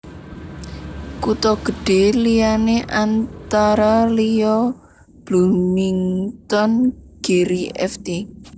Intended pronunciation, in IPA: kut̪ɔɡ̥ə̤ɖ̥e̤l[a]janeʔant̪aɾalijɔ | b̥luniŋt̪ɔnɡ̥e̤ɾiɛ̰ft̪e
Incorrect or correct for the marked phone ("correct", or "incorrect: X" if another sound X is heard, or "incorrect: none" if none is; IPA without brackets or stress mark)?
incorrect: i